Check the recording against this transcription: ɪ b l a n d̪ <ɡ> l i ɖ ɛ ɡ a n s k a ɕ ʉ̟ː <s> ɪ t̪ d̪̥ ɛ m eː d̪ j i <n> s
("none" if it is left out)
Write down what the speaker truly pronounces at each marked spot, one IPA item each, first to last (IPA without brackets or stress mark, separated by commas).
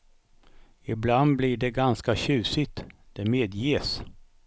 b, s, none